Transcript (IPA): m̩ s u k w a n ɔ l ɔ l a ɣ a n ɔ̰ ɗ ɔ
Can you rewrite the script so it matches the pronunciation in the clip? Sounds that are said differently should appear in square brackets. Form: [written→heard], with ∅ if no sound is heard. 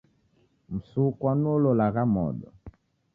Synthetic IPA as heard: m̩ s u k w a n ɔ l ɔ l a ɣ a [n→m] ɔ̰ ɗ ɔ